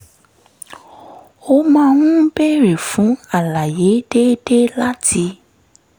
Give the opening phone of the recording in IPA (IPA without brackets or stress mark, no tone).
o